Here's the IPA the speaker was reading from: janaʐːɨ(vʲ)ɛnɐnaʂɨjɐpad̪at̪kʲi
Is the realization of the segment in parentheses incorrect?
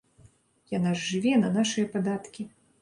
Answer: no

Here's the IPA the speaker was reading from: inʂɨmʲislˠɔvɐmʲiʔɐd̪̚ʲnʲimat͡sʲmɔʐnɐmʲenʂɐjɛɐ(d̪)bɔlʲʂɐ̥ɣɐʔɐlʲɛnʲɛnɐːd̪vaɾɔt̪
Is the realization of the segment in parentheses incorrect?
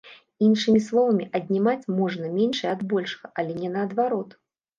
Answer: no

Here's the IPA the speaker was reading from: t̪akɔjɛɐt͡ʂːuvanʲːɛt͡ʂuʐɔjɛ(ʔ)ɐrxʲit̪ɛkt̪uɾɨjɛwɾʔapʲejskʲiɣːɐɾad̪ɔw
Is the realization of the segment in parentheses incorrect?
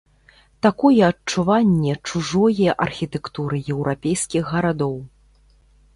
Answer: no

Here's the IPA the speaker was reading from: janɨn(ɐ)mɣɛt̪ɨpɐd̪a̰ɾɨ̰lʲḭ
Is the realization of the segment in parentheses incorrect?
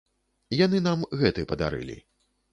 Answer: yes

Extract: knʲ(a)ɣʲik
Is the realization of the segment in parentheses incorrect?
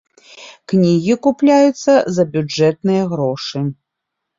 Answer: yes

